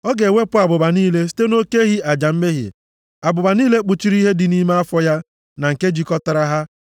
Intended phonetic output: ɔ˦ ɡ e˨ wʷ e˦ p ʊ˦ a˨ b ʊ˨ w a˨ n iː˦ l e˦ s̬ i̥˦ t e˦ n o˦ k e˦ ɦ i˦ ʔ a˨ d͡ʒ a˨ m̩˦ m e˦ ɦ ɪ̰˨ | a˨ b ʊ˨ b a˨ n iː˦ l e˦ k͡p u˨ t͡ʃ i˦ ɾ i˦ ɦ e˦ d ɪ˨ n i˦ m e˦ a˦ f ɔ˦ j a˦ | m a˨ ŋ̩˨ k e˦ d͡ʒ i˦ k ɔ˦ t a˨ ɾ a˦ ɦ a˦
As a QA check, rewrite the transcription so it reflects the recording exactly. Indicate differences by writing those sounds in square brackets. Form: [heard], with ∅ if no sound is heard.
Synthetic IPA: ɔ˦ ɡ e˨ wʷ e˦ p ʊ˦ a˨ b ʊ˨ [b] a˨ n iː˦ l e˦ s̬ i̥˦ t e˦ n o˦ k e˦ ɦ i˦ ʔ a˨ d͡ʒ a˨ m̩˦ m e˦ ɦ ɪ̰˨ | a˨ b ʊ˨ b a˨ n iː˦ l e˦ k͡p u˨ t͡ʃ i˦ ɾ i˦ ɦ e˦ d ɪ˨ n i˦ m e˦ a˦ f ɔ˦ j a˦ | [n] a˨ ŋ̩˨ k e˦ d͡ʒ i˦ k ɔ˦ t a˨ ɾ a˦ ɦ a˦